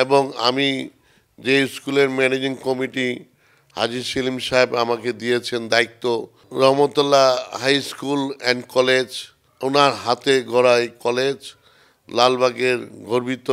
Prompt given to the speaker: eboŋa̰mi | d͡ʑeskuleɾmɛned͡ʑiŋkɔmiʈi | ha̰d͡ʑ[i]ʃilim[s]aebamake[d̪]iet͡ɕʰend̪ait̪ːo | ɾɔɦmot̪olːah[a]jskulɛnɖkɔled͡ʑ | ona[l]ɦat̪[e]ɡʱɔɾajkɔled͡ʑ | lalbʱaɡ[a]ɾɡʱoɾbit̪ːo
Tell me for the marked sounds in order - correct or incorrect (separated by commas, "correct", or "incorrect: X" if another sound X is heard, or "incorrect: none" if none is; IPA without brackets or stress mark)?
correct, incorrect: ʃ, correct, correct, incorrect: ɾ, correct, incorrect: e